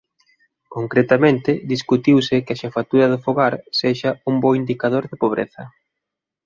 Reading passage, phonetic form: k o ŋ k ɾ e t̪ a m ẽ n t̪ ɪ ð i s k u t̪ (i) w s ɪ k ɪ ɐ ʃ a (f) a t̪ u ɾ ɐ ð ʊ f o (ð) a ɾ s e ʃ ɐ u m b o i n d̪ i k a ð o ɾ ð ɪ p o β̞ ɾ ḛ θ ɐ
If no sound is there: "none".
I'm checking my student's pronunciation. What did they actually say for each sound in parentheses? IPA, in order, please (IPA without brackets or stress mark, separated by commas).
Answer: i, f, ɣ